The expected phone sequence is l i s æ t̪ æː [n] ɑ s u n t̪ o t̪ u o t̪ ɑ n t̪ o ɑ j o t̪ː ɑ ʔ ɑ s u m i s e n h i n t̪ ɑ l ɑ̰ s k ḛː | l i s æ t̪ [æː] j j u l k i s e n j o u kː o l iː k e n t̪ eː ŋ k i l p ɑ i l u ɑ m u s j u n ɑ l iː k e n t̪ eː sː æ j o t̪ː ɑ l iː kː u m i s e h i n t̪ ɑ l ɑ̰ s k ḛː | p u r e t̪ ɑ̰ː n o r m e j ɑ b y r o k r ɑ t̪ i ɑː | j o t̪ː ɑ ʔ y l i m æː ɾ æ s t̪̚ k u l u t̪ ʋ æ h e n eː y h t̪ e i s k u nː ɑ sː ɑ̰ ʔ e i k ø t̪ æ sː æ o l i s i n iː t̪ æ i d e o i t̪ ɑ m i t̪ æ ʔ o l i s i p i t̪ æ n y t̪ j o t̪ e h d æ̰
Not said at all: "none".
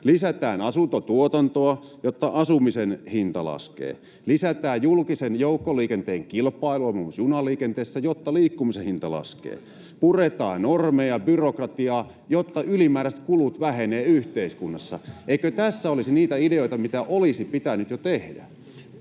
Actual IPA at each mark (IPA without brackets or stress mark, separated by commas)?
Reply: n, æː